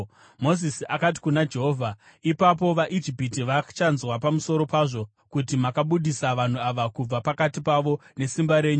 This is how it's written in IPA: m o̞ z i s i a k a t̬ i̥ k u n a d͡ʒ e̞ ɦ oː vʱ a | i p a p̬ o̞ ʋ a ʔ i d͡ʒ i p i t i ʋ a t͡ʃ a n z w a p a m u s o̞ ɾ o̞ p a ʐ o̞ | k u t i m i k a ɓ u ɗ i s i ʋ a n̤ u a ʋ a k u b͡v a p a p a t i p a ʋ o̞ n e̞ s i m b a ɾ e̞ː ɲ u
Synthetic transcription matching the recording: m o̞ z i s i a k a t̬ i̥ k u n a d͡ʒ e̞ ɦ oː vʱ a | i p a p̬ o̞ ʋ a ʔ i d͡ʒ i p i t i ʋ a t͡ʃ a n z w a p a m u s o̞ ɾ o̞ p a ʐ o̞ | k u t i m a k a ɓ u ɗ i s a ʋ a n̤ u a ʋ a k u b͡v a p a k a t i p a ʋ o̞ n e̞ s i m b a ɾ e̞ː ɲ u